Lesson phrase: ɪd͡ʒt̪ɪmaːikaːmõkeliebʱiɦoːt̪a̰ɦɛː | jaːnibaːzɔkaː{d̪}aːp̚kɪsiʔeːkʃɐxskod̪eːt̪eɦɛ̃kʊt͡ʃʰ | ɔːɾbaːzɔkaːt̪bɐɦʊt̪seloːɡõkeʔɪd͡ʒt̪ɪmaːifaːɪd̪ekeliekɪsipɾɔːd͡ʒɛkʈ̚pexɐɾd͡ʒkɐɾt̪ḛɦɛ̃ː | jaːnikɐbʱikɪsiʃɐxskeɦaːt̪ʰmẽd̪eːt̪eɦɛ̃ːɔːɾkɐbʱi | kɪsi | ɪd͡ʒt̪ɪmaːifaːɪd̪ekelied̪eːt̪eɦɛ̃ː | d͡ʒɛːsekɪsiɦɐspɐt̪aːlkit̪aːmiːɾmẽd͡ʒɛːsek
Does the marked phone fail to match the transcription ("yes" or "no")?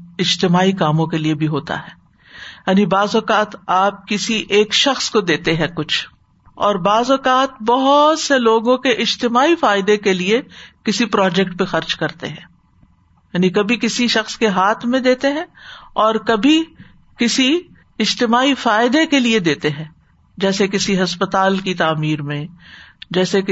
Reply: yes